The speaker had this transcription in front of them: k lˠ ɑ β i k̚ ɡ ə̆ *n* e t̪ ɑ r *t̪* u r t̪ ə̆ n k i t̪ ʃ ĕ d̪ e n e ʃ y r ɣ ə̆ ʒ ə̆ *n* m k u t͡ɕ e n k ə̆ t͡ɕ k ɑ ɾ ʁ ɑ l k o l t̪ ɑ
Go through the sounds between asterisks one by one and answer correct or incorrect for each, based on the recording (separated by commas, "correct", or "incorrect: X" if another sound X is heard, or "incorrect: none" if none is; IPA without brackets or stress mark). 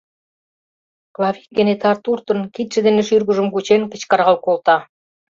correct, correct, incorrect: none